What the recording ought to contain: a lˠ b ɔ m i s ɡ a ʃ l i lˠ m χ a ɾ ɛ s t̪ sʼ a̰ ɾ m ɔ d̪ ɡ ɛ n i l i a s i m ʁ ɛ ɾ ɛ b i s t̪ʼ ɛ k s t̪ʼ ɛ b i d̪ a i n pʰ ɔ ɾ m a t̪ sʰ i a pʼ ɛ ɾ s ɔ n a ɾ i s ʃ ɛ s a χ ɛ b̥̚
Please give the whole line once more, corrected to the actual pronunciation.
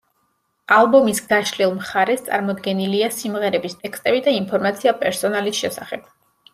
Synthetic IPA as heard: a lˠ b ɔ m i s ɡ a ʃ l i lˠ m χ a ɾ ɛ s t̪ sʼ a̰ ɾ m ɔ d̪ ɡ ɛ n i l i a s i m ʁ ɛ ɾ ɛ b i s t̪ʼ ɛ k s t̪ʼ ɛ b i d̪ a i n pʰ ɔ ɾ m a t̪ sʰ i a pʼ ɛ ɾ s ɔ n a l i s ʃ ɛ s a χ ɛ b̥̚